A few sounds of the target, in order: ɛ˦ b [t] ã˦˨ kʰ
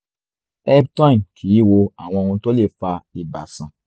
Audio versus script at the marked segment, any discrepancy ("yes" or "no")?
no